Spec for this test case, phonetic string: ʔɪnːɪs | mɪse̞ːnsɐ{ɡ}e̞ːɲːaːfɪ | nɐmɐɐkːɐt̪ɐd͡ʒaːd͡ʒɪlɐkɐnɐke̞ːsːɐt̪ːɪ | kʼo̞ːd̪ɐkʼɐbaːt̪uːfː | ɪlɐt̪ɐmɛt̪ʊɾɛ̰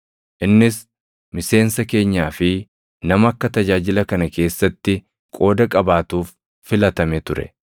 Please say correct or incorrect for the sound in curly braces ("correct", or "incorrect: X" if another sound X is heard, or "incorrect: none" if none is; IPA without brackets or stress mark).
incorrect: k